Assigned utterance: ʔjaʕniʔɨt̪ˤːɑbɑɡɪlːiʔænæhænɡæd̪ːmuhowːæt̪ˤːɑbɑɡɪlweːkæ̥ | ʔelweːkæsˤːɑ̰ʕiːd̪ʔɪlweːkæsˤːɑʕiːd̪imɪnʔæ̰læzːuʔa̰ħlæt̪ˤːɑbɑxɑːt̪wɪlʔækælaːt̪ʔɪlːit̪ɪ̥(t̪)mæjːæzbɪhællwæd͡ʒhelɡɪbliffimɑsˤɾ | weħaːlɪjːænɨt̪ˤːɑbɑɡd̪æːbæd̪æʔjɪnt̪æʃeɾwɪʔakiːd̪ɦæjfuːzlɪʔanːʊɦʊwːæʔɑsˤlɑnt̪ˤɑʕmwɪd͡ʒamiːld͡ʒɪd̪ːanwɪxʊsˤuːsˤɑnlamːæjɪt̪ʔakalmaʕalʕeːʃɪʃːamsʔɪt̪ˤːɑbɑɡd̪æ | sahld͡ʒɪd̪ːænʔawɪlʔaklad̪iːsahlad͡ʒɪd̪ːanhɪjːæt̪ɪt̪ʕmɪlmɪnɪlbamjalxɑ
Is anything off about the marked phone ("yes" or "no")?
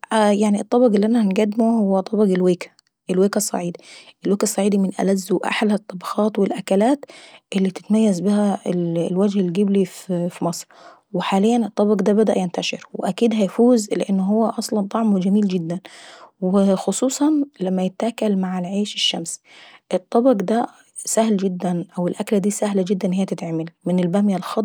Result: no